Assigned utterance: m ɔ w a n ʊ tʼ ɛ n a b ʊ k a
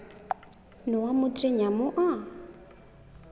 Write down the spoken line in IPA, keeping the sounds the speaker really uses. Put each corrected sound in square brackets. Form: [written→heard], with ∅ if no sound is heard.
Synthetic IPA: [m→n] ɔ w a [n→m] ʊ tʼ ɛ [n→ɲ] a [b→m] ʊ [k→ʔ] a